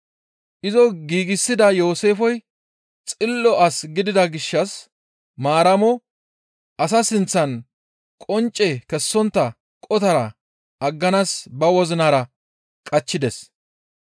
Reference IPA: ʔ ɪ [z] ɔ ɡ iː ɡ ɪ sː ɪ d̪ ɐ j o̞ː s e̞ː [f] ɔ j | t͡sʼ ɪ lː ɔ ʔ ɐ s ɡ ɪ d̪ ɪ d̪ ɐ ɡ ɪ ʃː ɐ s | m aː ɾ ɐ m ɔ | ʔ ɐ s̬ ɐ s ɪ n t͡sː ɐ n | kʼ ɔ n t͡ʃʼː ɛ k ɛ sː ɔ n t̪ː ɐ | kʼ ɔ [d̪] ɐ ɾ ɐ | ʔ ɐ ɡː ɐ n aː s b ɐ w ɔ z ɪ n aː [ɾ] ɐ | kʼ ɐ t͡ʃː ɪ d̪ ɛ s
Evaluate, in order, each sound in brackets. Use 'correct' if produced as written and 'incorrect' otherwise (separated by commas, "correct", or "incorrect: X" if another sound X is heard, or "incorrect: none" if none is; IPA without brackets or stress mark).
correct, correct, incorrect: t̪, correct